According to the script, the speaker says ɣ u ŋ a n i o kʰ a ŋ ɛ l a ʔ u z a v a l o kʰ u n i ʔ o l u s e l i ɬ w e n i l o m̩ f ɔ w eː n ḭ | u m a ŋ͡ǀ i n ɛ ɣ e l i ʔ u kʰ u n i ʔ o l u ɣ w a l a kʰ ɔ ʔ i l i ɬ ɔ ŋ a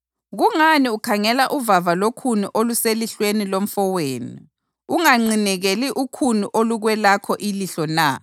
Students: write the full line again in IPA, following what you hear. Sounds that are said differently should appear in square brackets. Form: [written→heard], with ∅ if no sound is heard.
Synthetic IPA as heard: ɣ u ŋ a n i [o→u] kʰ a ŋ ɛ l a ʔ u [z→v] a v a l o kʰ u n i ʔ o l u s e l i ɬ w e n i l o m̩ f ɔ w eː n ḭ | u [m→ŋ] a ŋ͡ǀ i n ɛ ɣ e l i ʔ u kʰ u n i ʔ o l u ɣ w [a→ɛ] l a kʰ ɔ ʔ i l i ɬ ɔ [ŋ→n] a

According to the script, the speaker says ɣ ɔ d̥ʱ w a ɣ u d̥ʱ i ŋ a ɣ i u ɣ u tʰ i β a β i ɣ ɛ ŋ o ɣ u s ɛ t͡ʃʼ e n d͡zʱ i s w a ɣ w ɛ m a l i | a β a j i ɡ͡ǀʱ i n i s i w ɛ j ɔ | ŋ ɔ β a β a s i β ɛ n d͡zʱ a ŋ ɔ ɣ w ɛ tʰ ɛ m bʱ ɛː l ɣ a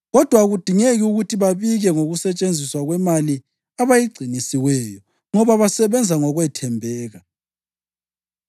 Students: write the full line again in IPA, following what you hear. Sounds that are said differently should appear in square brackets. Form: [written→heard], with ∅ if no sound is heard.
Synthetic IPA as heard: ɣ ɔ d̥ʱ w a ɣ u d̥ʱ i ŋ [a→e] ɣ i u ɣ u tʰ i β a β i ɣ ɛ ŋ o ɣ u s ɛ t͡ʃʼ e n d͡zʱ i s w a ɣ w ɛ m a l i | a β a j i ɡ͡ǀʱ i n i s i w ɛ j ɔ | ŋ ɔ β a β a s [i→ɛ] β ɛ n d͡zʱ a ŋ ɔ ɣ w ɛ tʰ ɛ m bʱ ɛː [l→∅] ɣ a

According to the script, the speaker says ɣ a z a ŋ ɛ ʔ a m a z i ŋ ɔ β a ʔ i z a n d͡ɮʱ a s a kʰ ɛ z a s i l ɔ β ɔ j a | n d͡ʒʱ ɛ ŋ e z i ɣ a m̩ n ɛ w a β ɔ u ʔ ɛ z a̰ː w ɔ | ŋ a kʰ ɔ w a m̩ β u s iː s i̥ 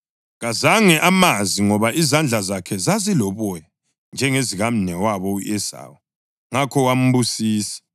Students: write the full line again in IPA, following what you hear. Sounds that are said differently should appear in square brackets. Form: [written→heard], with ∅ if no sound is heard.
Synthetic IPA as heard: ɣ a z a ŋ ɛ ʔ a m a z i ŋ ɔ β a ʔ i z a n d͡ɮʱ a [s→z] a kʰ ɛ z a [s→z] i l ɔ β ɔ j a | n d͡ʒʱ ɛ ŋ e z i ɣ a m̩ n ɛ w a β ɔ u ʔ ɛ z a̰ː w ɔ | ŋ a kʰ ɔ w a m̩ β u s iː s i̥

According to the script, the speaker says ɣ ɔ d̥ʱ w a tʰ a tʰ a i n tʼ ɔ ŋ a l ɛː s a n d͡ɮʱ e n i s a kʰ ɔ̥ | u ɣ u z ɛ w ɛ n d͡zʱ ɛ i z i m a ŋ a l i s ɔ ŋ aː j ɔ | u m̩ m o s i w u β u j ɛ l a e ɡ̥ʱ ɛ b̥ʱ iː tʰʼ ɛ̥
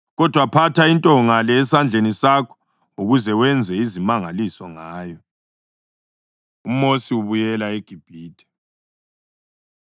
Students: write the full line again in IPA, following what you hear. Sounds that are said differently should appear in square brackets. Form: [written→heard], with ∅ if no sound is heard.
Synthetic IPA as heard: ɣ ɔ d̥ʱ w a [tʰ→pʰ] a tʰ a i n tʼ ɔ ŋ a l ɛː s a n d͡ɮʱ e n i s a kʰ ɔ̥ | u ɣ u z ɛ w ɛ n d͡zʱ ɛ i z i m a ŋ a l i s ɔ ŋ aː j ɔ | u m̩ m o s i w u β u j ɛ l a e ɡ̥ʱ [ɛ→i] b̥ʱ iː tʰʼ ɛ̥

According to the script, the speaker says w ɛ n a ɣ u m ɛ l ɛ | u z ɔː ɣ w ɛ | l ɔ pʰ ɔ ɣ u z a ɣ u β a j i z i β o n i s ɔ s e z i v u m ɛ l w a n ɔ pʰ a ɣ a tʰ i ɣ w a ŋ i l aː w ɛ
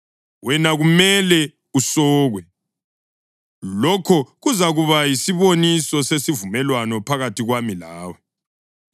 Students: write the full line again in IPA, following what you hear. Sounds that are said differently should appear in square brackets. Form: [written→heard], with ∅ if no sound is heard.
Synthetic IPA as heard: w ɛ n a ɣ u m ɛ l ɛ | u [z→s] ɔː ɣ w ɛ | l ɔ [pʰ→kʰ] ɔ ɣ u z a ɣ u β a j i [z→s] i β o n i s ɔ s e [z→s] i v u m ɛ l w a n ɔ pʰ a ɣ a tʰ i ɣ w a [ŋ→m] i l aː w ɛ

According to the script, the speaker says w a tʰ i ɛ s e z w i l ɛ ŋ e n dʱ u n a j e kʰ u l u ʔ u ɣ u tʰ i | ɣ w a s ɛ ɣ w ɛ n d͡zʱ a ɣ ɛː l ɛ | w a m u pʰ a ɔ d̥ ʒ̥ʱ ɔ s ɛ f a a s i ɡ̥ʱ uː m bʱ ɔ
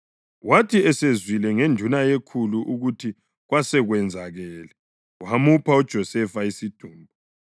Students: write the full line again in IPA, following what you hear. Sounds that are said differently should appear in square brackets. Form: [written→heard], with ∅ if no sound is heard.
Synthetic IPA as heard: w a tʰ i ɛ s e z w i l ɛ ŋ e n dʱ u n a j e kʰ u l u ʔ u ɣ u tʰ i | ɣ w a s ɛ ɣ w ɛ n d͡zʱ a ɣ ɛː l ɛ | w a m u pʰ a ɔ d̥ ʒ̥ʱ ɔ s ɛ f a [a→i] s i [ɡ̥ʱ→d̥ʱ] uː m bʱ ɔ

